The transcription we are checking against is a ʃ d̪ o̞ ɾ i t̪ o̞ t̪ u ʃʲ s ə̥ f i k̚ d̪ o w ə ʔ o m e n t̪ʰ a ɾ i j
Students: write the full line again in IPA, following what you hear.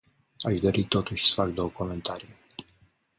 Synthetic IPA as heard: a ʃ d̪ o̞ ɾ i t̪ o̞ t̪ u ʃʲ s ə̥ f a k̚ d̪ o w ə k o m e n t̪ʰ a ɾ i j